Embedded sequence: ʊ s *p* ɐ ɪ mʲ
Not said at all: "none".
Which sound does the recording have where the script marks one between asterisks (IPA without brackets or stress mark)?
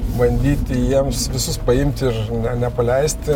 p